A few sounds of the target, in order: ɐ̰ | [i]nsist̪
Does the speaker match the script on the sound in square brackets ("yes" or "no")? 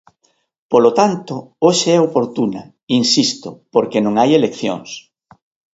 yes